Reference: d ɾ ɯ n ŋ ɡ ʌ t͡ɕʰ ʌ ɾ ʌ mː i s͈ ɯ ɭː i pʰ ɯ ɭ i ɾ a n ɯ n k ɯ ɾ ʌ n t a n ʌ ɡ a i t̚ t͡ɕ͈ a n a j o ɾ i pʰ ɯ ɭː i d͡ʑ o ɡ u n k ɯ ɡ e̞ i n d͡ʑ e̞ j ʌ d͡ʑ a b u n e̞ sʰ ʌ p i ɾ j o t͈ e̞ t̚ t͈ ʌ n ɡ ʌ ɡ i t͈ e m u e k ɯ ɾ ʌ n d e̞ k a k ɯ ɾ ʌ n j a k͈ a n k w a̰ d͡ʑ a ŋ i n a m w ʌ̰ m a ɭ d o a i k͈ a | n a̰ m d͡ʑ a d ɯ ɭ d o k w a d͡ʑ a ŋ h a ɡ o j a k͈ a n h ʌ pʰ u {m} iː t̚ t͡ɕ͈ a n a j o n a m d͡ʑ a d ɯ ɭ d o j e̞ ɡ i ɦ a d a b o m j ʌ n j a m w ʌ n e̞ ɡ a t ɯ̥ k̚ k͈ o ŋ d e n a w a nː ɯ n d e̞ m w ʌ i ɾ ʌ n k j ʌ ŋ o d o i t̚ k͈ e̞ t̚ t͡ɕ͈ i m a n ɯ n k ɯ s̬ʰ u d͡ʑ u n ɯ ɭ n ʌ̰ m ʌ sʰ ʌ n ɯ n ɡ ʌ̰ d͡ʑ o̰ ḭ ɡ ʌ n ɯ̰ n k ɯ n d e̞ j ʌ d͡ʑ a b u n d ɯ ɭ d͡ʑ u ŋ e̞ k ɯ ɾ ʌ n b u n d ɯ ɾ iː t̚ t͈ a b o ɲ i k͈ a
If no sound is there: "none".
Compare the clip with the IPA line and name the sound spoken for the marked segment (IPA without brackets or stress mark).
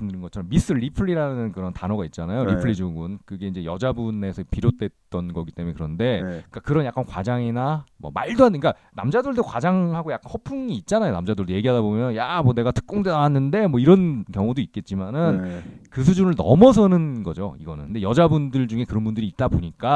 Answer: ŋ